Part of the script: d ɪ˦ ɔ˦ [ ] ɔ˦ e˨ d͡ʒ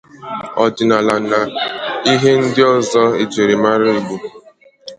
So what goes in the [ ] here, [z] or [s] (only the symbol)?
z